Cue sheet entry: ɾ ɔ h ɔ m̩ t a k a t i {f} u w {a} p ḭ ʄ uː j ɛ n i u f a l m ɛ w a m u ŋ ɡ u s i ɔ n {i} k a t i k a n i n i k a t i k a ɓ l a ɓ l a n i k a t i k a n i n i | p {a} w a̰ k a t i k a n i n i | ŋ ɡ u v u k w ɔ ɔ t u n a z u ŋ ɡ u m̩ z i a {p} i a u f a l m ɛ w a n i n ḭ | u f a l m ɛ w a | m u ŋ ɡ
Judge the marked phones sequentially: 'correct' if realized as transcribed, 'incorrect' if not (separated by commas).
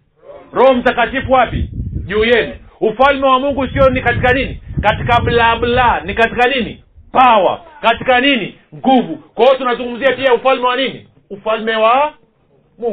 correct, correct, correct, correct, correct